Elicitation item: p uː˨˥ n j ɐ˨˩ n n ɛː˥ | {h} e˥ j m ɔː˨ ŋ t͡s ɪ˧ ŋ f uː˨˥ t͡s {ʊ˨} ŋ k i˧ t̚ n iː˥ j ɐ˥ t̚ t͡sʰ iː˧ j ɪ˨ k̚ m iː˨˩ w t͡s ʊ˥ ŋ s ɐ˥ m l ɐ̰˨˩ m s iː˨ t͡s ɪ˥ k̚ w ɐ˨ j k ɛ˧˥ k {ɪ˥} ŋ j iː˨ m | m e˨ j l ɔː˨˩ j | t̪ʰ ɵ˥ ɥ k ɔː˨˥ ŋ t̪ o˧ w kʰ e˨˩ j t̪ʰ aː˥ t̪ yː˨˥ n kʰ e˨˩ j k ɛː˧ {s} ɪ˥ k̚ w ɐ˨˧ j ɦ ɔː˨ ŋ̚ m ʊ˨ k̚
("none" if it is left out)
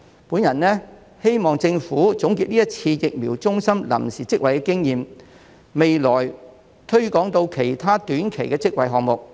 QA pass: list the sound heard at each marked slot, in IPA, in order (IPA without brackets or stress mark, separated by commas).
h, ʊ˨˥, ɪ˥, t͡s